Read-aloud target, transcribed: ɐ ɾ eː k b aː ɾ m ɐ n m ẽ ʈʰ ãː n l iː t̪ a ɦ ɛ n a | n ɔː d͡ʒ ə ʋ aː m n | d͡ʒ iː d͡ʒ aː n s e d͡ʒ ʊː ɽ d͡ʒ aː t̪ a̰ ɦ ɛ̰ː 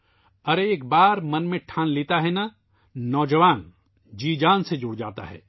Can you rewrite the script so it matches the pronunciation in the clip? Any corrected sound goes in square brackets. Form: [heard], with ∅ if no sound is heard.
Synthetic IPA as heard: ɐ ɾ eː k b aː ɾ m ɐ n m ẽ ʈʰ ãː n l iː t̪ a ɦ ɛ n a | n ɔː d͡ʒ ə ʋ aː [∅] n | d͡ʒ iː d͡ʒ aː n s e d͡ʒ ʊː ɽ d͡ʒ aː t̪ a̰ ɦ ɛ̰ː

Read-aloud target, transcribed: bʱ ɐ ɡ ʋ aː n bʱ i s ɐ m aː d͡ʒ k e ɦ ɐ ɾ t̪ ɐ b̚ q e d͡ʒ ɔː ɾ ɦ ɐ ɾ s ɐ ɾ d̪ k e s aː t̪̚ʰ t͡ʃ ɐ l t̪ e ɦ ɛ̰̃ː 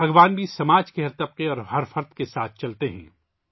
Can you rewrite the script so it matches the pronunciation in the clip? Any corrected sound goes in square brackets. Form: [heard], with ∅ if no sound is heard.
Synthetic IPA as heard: bʱ ɐ ɡ ʋ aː n bʱ i s ɐ m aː d͡ʒ k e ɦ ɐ ɾ t̪ ɐ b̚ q e [∅] ɔː ɾ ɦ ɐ ɾ [f] ɐ ɾ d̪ k e s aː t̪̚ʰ t͡ʃ ɐ l t̪ e ɦ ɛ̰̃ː

